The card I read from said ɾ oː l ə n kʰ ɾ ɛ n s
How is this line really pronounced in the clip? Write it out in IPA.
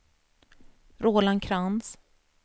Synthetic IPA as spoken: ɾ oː l a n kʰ ɾ a n s